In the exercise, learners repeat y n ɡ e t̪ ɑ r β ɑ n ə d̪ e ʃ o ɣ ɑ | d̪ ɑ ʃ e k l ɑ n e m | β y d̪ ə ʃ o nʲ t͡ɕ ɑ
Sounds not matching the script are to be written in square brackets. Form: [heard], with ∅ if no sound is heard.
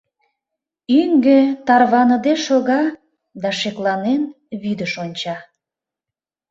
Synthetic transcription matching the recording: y [ŋ] ɡ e t̪ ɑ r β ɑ n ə d̪ e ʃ o ɣ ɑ | d̪ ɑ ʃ e k l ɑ n e [n] | β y d̪ ə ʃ o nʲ t͡ɕ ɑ